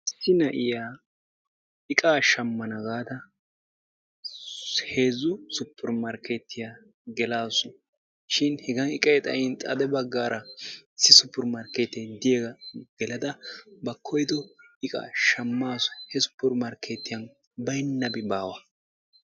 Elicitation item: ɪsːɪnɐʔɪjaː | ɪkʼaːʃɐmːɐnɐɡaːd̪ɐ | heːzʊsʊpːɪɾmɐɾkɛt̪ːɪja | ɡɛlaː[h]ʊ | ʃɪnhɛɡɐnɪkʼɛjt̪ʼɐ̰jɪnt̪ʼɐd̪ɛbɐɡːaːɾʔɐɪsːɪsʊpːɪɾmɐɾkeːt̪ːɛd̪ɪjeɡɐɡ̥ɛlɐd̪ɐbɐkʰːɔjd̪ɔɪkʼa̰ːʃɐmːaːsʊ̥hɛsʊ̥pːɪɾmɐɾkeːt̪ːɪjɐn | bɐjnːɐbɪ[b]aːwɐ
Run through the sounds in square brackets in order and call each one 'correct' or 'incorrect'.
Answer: incorrect, correct

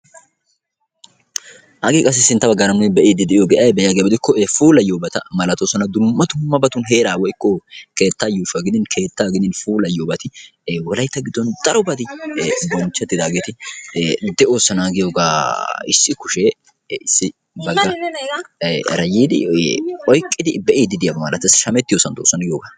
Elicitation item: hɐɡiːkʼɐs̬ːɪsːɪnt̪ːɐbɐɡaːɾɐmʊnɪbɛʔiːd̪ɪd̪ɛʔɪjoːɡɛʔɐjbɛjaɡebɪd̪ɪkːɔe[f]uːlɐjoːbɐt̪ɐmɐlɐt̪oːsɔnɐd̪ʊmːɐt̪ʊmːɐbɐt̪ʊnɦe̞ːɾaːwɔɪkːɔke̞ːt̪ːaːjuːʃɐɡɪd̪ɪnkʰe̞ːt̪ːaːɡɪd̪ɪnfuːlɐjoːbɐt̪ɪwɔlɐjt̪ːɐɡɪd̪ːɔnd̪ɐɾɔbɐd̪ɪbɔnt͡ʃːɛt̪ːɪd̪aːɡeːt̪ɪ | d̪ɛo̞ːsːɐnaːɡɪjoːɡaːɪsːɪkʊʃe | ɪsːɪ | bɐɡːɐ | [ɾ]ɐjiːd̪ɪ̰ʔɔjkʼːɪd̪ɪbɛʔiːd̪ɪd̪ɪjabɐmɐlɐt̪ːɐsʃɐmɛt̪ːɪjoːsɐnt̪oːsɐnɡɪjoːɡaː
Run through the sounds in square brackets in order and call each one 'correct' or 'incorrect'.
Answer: correct, correct

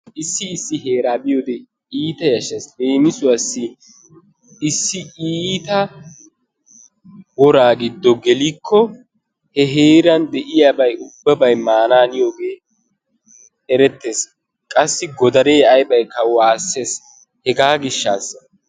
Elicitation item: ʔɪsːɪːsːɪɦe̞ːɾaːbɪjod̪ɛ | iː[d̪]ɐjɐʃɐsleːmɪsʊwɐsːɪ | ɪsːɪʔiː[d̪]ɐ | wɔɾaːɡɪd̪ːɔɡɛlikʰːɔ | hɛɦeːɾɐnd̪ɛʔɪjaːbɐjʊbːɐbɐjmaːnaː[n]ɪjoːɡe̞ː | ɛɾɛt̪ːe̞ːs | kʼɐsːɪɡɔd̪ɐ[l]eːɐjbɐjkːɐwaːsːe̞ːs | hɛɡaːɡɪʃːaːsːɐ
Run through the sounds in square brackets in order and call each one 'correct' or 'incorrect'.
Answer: incorrect, incorrect, correct, incorrect

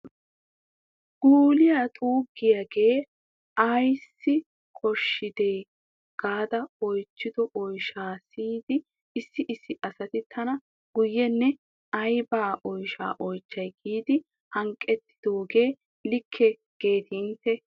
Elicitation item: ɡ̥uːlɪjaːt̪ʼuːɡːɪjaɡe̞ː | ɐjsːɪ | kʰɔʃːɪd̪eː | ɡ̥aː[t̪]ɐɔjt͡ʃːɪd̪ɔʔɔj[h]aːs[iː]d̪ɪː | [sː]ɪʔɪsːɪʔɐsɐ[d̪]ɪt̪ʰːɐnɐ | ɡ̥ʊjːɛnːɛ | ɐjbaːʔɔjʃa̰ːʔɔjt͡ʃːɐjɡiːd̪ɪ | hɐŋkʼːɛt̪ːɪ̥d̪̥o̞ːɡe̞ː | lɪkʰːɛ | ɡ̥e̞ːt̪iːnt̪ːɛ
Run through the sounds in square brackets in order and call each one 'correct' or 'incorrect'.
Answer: incorrect, incorrect, correct, correct, incorrect

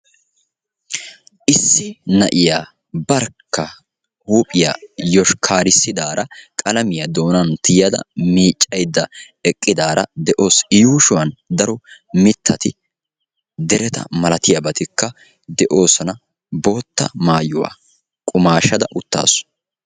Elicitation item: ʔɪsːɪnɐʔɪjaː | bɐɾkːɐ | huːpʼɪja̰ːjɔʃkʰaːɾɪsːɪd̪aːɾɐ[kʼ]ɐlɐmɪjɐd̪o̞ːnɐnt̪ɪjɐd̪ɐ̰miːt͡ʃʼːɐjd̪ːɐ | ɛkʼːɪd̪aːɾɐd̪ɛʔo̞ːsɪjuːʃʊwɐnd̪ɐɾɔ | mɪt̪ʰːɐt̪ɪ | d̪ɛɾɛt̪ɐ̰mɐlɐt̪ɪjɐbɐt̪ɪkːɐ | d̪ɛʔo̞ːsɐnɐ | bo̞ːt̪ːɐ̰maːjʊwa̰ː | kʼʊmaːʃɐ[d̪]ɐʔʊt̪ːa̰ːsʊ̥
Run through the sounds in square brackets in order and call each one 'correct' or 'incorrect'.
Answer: correct, correct

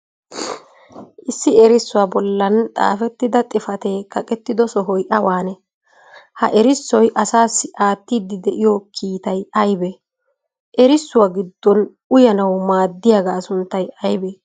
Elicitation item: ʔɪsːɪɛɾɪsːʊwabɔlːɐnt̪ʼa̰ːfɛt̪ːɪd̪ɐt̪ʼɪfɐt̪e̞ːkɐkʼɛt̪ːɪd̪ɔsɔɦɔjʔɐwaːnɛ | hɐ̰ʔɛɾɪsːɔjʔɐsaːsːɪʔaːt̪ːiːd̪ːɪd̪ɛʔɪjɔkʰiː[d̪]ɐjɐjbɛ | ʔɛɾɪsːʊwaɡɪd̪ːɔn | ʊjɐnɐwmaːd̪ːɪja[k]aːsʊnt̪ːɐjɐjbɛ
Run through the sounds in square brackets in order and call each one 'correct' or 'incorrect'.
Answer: incorrect, incorrect

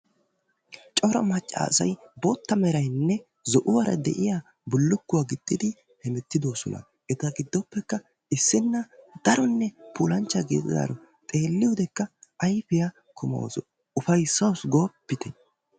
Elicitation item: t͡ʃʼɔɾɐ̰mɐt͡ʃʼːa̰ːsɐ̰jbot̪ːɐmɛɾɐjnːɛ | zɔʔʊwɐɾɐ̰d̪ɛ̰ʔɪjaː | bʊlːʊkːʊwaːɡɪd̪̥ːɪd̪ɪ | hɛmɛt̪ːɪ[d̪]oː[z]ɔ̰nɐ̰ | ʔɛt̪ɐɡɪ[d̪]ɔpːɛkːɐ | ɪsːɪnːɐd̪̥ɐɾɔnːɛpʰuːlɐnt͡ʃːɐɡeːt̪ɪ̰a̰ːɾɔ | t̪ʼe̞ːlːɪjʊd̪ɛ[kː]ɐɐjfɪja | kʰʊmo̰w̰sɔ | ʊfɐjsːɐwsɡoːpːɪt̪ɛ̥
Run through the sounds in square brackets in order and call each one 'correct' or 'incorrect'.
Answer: correct, incorrect, incorrect, correct

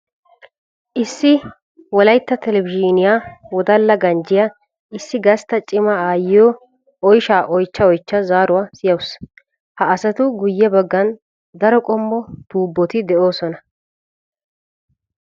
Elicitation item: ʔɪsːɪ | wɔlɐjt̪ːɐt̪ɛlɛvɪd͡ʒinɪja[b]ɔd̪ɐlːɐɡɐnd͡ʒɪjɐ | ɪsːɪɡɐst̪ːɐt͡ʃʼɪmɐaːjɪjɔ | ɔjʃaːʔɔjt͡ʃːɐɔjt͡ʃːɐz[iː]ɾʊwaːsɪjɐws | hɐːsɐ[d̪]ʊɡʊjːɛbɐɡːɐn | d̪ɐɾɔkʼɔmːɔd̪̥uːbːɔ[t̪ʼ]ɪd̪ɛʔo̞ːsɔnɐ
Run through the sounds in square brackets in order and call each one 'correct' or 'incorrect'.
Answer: incorrect, incorrect, incorrect, incorrect

